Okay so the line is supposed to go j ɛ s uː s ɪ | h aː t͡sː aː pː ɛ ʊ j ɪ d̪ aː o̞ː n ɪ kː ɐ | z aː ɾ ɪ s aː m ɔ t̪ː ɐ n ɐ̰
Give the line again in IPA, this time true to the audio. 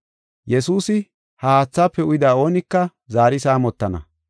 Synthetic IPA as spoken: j ɛ s uː s ɪ | h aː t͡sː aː pː ɛ ʊ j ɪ d̪ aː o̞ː n ɪ kː ɐ | z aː ɾ ɪ s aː m ɔ t̪ː ɐ n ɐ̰